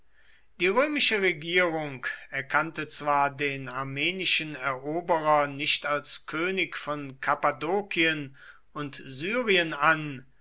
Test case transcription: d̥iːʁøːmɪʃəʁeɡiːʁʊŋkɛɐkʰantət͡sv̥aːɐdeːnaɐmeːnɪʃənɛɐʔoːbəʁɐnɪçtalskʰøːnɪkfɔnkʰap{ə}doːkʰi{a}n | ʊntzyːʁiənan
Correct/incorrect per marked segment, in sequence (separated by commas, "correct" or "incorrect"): incorrect, incorrect